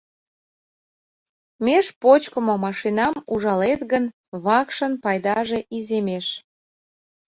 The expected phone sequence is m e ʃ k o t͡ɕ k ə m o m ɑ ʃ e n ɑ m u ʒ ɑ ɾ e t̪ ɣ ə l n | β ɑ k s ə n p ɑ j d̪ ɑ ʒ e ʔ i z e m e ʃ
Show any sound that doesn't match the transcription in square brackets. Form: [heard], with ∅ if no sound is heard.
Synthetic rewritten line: m e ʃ [p] o t͡ɕ k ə m o m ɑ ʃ [i] n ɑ m u ʒ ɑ [l] e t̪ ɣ ə [∅] n | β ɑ k [ʃ] ə n p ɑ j d̪ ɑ ʒ e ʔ i z e m e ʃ

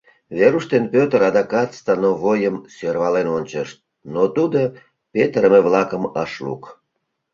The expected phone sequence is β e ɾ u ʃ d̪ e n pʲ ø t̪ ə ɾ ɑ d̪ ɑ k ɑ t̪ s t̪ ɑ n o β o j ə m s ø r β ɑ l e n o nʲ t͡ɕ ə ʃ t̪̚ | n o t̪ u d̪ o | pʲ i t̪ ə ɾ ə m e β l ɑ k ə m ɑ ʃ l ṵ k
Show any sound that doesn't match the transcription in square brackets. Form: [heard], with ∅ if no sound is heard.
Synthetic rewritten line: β e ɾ u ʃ [t̪] e n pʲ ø t̪ ə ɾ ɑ d̪ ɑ k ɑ t̪ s t̪ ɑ n o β o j ə m s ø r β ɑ l e n o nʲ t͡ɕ ə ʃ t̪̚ | n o t̪ u d̪ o | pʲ [e] t̪ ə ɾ ə m e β l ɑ k ə m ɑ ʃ l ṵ k

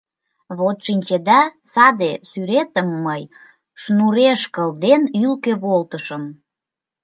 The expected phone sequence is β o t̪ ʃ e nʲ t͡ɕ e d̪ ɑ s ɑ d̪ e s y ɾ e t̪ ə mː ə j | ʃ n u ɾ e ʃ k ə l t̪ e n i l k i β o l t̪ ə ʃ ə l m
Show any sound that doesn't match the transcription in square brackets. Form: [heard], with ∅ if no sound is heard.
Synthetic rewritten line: β o t̪ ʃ [i] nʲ t͡ɕ e d̪ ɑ s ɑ d̪ e s y ɾ e t̪ ə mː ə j | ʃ n u ɾ e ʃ k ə l [d̪] e n [y] l k [e] β o l t̪ ə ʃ ə [∅] m

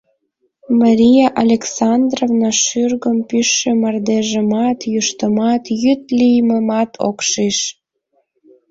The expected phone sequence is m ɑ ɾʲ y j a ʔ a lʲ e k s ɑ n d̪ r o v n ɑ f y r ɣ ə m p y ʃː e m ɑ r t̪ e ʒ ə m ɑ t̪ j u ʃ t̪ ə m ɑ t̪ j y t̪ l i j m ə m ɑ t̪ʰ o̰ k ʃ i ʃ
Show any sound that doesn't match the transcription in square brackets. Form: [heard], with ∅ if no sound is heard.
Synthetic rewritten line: m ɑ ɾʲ [i] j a ʔ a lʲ e k s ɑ n d̪ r o v n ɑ [ʃ] y r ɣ ə m p y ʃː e m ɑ r [d̪] e ʒ ə m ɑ t̪ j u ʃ t̪ ə m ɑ t̪ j y t̪ l i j m ə m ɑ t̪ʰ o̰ k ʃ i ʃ

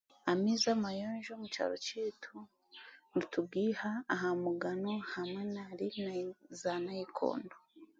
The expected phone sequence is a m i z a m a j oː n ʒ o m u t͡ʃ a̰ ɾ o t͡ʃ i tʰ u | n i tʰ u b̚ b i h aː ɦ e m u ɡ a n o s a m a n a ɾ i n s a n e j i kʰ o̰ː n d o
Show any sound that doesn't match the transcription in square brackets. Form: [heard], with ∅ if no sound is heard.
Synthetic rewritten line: a m i z a m a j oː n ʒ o m u t͡ʃ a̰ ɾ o t͡ʃ i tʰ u | n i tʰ u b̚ [ɡ] i h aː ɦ [a] m u ɡ a n o [h] a m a n a ɾ i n [z] a n [a] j i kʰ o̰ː n d o

